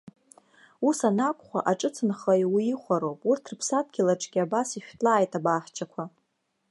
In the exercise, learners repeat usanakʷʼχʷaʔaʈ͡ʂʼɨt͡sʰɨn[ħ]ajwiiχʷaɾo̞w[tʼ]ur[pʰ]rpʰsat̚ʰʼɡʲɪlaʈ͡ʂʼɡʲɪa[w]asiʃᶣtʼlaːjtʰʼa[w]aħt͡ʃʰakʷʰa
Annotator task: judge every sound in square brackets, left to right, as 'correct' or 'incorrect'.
incorrect: χ, incorrect: pʼ, incorrect: tʰ, incorrect: b, incorrect: b

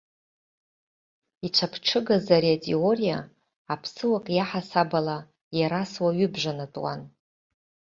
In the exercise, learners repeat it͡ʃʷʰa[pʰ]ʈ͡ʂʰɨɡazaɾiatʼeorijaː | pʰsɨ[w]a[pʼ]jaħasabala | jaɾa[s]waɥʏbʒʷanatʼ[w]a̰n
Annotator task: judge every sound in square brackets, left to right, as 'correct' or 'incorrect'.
correct, correct, incorrect: kʼ, correct, correct

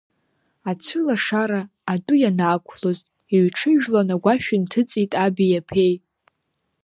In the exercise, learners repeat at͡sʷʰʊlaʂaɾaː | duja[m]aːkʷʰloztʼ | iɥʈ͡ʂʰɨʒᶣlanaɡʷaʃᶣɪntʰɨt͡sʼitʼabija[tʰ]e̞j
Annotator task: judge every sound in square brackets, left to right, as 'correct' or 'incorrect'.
incorrect: n, incorrect: pʰ

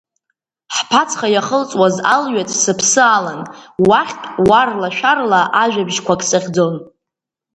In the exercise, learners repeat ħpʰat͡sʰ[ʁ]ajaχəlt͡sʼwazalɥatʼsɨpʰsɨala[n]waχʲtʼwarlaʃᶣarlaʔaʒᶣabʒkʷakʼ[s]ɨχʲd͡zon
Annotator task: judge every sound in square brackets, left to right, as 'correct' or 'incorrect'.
incorrect: χ, correct, correct

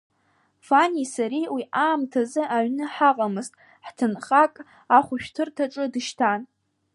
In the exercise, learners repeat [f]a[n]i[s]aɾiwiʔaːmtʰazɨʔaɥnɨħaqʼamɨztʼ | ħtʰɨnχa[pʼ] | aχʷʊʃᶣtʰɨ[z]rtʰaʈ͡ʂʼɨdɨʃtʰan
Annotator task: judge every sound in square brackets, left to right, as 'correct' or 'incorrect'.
correct, correct, correct, incorrect: kʼ, incorrect: none

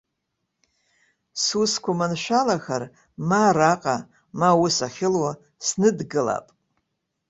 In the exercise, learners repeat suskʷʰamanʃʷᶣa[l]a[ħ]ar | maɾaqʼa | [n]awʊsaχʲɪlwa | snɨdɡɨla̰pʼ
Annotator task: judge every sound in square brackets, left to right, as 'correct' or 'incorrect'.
correct, incorrect: x, incorrect: m

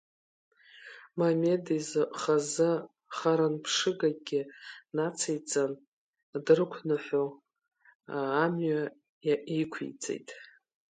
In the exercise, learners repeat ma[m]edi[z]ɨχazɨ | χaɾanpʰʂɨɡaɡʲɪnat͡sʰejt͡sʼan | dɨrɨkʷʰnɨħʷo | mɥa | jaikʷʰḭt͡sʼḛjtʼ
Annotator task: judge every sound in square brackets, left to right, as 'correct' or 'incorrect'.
correct, correct

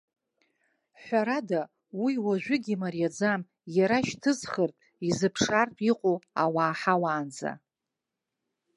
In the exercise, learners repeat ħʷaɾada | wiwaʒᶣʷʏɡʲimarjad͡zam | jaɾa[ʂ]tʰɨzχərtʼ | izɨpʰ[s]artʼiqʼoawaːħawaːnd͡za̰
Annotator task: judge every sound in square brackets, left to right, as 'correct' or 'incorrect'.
incorrect: ʃ, incorrect: ʂ

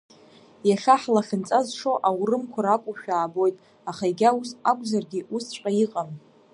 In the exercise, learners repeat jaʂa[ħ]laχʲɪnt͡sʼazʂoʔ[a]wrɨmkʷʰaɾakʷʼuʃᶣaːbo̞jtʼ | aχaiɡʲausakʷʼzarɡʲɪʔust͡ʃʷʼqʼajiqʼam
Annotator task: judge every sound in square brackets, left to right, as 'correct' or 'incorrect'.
correct, correct

